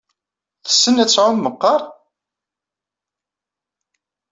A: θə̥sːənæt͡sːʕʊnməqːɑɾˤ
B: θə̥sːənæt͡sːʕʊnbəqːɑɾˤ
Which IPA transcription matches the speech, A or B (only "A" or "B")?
A